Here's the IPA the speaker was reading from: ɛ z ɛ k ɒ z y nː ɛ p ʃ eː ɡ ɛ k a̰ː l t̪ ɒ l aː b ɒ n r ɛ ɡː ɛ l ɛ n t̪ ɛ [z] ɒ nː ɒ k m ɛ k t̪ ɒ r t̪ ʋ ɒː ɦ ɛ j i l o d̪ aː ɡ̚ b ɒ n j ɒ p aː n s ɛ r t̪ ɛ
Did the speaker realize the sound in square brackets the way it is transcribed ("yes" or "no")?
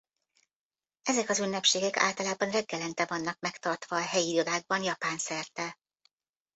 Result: no